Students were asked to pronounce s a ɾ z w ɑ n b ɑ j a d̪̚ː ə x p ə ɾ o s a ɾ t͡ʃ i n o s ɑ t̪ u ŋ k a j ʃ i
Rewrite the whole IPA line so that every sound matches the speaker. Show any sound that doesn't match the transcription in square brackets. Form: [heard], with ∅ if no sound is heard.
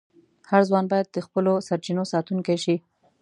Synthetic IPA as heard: [h] a ɾ z w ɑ n b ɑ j a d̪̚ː ə x p ə [l] o s a ɾ t͡ʃ i n o s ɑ t̪ u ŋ k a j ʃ i